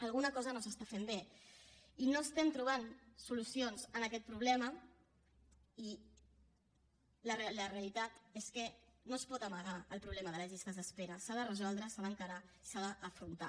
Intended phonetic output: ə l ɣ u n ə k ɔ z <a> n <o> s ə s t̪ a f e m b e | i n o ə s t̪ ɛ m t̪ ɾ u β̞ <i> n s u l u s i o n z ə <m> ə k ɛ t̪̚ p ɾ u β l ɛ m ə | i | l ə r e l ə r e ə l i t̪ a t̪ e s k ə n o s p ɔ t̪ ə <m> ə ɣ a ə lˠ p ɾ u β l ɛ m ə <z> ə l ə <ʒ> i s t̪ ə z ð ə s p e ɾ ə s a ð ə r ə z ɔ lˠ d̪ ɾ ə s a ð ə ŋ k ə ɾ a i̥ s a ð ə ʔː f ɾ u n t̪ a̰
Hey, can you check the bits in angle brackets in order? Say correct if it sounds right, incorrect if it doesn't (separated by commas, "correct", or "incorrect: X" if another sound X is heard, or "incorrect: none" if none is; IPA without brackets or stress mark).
incorrect: ə, correct, incorrect: a, incorrect: n, correct, incorrect: ð, correct